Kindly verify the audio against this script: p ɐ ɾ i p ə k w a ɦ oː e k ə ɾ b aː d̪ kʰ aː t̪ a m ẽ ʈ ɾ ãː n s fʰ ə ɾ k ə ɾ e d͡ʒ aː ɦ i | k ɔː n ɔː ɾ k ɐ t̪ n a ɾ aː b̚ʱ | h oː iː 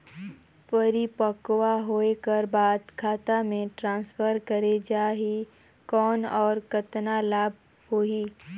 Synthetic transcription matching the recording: p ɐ ɾ i p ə k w a ɦ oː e k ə ɾ b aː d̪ kʰ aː t̪ a m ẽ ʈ ɾ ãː n s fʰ ə ɾ k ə ɾ e d͡ʒ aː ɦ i | k ɔː n ɔː ɾ k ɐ t̪ n a l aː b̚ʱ | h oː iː